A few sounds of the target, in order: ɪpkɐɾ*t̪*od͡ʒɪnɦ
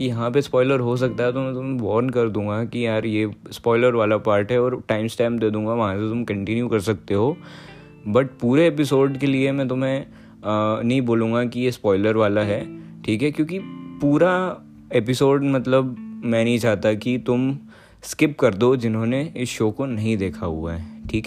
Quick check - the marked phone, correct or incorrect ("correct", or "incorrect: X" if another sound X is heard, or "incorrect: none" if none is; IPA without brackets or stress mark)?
incorrect: d̪